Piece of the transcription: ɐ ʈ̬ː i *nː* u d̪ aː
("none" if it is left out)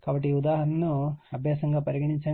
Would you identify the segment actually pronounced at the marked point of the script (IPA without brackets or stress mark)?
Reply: none